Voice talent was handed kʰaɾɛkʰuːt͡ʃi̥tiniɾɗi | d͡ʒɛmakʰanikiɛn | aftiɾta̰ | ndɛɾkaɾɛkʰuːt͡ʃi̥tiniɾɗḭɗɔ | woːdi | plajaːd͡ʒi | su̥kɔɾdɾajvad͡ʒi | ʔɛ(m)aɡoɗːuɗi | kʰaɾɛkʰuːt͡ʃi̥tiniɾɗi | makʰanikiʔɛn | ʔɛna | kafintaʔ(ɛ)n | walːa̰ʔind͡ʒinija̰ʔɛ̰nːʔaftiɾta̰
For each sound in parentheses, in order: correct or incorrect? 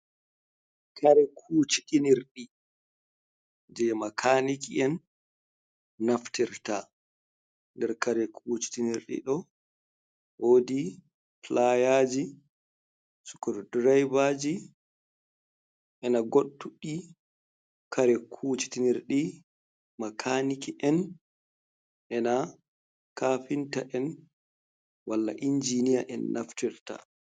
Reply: incorrect, correct

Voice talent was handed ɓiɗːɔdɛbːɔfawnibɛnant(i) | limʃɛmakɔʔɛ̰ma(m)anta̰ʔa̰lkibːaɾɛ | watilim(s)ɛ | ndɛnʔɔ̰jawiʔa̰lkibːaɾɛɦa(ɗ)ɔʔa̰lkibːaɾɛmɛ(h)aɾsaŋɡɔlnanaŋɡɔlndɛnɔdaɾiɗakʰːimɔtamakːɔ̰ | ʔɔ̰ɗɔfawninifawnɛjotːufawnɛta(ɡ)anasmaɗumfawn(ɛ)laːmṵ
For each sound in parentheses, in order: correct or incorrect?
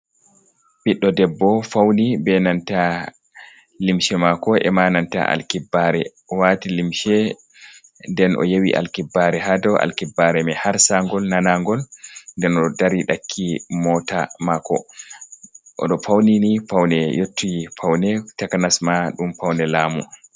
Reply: incorrect, incorrect, incorrect, incorrect, correct, incorrect, correct

